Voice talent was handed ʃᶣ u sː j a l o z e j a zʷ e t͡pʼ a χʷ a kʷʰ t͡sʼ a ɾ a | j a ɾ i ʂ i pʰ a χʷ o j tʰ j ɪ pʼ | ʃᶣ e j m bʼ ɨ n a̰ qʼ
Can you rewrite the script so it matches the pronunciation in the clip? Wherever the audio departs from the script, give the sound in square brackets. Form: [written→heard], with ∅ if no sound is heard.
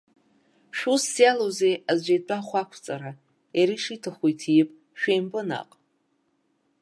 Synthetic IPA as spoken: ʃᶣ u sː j a l o z e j a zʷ e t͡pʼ a χʷ a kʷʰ t͡sʼ a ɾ a | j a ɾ i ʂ i [pʰ→tʰ] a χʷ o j tʰ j ɪ pʼ | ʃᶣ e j m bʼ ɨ n a̰ qʼ

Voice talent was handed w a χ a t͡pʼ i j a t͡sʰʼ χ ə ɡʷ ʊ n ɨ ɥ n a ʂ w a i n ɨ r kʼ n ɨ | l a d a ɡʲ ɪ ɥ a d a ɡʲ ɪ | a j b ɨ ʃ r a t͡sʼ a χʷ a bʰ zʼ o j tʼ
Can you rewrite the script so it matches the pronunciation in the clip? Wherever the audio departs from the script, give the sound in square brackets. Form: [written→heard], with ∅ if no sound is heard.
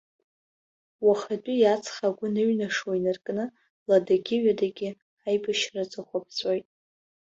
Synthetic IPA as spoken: w a χ a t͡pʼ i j a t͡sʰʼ χ [ə→a] ɡʷ ʊ n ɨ ɥ n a ʂ w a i n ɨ r kʼ n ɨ | l a d a ɡʲ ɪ ɥ a d a ɡʲ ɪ | a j b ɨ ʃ r a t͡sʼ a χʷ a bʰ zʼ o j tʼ

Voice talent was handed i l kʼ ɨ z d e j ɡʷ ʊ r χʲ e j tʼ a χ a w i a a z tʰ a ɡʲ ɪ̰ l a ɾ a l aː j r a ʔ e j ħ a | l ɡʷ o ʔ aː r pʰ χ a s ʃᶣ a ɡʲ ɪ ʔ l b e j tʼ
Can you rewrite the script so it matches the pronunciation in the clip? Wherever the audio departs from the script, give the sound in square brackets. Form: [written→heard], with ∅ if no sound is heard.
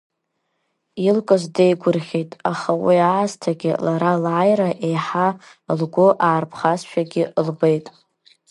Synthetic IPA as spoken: i l kʼ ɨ z d e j ɡʷ ʊ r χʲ e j tʼ a χ a w i a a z tʰ a ɡʲ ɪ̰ l a ɾ a l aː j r a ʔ e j ħ a | l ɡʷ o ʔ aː r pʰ χ a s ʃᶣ a ɡʲ ɪ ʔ l b e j tʼ

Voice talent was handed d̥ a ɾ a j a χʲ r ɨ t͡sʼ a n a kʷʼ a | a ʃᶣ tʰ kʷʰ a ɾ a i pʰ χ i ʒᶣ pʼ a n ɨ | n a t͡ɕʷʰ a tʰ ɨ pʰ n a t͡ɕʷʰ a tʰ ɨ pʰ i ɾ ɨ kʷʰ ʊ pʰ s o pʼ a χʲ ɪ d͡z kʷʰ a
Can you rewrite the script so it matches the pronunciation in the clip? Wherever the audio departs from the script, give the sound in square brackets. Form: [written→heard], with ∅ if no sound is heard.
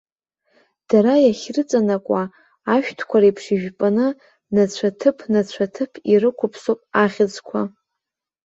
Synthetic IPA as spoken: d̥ a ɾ a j a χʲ r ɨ t͡sʼ a n a kʷʼ a | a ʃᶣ tʰ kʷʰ a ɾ a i pʰ [χ→ʂ] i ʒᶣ pʼ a n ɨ | n a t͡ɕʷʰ a tʰ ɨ pʰ n a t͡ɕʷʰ a tʰ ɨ pʰ i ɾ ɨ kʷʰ ʊ pʰ s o pʼ a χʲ ɪ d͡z kʷʰ a

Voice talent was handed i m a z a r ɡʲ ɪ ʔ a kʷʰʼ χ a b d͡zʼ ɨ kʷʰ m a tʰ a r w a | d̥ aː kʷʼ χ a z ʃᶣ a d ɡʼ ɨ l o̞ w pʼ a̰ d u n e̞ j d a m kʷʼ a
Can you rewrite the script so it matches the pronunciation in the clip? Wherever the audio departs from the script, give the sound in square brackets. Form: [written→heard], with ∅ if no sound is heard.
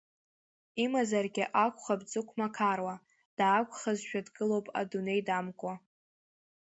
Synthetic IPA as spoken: i m a z a r ɡʲ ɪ ʔ a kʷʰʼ χ a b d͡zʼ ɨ kʷʰ m a [tʰ→kʰ] a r w a | d̥ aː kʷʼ χ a z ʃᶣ a d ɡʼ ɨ l o̞ w pʼ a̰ d u n e̞ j d a m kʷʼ a

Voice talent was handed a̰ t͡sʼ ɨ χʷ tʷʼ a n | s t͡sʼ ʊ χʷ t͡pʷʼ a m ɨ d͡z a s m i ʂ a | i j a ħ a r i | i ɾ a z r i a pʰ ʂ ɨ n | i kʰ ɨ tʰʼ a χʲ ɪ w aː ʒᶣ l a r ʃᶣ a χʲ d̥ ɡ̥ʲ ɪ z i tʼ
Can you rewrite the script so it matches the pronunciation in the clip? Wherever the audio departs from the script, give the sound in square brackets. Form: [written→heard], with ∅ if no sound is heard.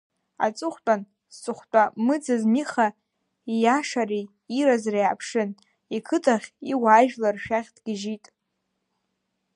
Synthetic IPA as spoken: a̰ t͡sʼ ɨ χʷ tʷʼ a n | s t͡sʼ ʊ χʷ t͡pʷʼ a m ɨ d͡z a [s→z] m i [ʂ→χ] a | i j a [ħ→ʂ] a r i | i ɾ a z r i a pʰ ʂ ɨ n | i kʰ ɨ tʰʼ a χʲ [ɪ→i] w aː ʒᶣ l a r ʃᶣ a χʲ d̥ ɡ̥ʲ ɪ [z→ʒ] i tʼ

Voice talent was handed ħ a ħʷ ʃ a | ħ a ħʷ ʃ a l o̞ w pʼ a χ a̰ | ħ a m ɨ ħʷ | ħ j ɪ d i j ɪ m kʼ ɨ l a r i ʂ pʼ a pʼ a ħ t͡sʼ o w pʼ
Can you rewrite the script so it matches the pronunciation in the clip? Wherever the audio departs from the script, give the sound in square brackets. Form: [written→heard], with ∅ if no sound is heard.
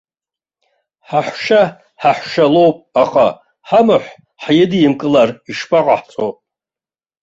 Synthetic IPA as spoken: ħ a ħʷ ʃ a | ħ a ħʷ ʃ a l o̞ w pʼ a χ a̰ | ħ a m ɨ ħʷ | ħ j ɪ d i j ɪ m kʼ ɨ l a r i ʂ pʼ a [pʼ→qʼ] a ħ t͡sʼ o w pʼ

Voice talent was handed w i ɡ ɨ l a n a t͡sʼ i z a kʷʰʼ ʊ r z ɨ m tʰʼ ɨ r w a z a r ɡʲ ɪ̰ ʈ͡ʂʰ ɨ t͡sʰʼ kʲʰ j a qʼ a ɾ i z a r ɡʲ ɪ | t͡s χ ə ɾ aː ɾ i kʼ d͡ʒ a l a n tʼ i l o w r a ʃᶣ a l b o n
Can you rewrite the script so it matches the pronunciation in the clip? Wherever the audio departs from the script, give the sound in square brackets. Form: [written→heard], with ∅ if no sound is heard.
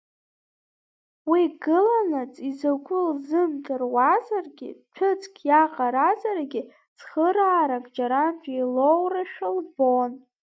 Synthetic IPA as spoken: w i ɡ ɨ l a n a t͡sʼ i z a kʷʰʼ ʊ [r→l] z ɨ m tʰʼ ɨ r w a z a r ɡʲ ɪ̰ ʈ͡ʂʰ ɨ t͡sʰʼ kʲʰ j a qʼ a ɾ [i→a] z a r ɡʲ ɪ | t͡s χ ə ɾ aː ɾ [i→a] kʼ d͡ʒ a [l→ɾ] a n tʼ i l o w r a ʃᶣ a l b o n

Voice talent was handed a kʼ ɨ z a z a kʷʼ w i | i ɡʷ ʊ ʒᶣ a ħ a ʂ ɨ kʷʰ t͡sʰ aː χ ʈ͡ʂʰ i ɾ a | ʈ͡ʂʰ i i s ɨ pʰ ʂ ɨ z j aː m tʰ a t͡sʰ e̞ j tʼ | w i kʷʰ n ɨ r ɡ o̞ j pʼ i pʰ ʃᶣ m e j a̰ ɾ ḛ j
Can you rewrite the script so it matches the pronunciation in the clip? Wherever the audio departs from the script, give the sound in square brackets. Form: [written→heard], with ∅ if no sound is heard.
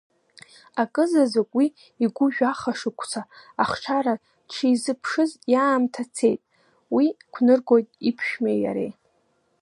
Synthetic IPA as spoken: a kʼ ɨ z a z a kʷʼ w i | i ɡʷ ʊ ʒᶣ a [ħ→χ] a ʂ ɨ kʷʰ t͡sʰ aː χ ʈ͡ʂʰ [i→a] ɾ a | ʈ͡ʂʰ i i [s→z] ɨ pʰ ʂ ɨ z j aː m tʰ a t͡sʰ e̞ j tʼ | w i kʷʰ n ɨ r ɡ o̞ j [pʼ→tʼ] i pʰ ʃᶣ m e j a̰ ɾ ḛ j

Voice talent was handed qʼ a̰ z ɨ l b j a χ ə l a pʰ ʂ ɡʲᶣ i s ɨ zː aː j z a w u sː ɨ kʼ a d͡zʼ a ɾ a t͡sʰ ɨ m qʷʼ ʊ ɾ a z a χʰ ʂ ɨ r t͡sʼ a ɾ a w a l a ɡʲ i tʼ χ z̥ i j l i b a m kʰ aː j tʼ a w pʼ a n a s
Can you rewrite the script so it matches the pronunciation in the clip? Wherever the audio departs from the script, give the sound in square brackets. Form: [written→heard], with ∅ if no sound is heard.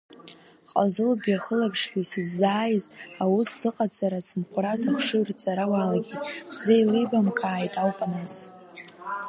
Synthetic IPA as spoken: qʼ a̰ z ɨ l b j a χ ə l a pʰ ʂ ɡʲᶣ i s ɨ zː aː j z a w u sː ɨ [kʼ→qʼ] a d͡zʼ a ɾ a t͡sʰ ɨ m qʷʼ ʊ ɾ a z a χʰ ʂ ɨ r t͡sʼ a ɾ a w a l a ɡʲ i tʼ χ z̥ [i→e] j l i b a m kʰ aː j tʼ a w pʼ a n a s

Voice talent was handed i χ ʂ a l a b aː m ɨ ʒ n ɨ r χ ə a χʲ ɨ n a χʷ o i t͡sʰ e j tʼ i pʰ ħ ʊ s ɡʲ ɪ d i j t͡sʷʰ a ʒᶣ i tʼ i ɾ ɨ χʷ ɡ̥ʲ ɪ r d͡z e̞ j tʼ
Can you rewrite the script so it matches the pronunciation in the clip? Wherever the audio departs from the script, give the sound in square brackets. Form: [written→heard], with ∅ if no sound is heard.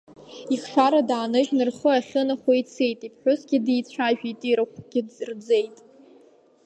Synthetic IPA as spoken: i χ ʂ a [l→ɾ] a [b→d] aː [m→n] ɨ ʒ n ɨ r χ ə a χʲ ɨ n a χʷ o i t͡sʰ e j tʼ i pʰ ħ ʊ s ɡʲ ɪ d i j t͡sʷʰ a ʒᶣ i tʼ i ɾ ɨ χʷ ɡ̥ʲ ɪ r d͡z e̞ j tʼ

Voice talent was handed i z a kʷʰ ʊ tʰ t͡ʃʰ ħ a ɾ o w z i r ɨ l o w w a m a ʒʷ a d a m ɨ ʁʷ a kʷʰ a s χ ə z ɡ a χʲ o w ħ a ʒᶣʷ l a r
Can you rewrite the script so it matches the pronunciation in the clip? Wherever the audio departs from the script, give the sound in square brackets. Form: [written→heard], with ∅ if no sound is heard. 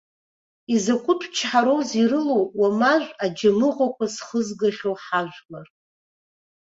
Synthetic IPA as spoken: i z a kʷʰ ʊ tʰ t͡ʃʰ ħ a ɾ o w z i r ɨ l o w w a m a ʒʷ a [d→d͡ʒ] a m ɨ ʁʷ a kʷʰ a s χ ə z ɡ a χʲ o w ħ a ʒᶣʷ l a r

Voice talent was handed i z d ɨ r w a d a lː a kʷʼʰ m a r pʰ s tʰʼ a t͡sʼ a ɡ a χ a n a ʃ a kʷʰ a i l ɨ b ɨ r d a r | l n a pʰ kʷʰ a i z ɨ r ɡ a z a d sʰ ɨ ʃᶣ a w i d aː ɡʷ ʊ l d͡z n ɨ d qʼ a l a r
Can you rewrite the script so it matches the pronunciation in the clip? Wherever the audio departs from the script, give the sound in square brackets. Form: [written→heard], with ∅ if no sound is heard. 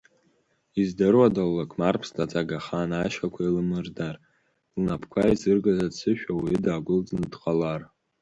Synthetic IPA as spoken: i z d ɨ r w a d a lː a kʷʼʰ m a r pʰ s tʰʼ a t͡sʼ a ɡ a χ a n a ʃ a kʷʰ a i l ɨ [b→m] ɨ r d a r | l n a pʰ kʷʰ a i z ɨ r ɡ a z a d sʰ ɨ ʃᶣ a w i d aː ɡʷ ʊ l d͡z n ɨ d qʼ a l a r

